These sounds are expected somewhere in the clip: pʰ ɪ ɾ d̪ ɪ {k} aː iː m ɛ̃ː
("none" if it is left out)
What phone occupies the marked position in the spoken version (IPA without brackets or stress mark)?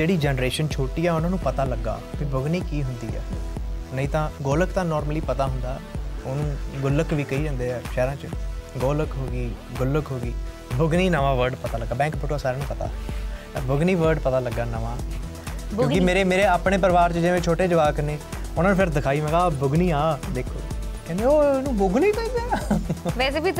kʰ